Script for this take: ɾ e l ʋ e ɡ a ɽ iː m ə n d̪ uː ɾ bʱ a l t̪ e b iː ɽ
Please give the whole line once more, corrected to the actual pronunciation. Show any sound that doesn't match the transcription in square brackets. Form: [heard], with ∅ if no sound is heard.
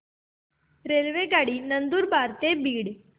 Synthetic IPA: ɾ e l ʋ e ɡ a ɽ iː [n] ə n d̪ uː ɾ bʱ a [ɾ] t̪ e b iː ɽ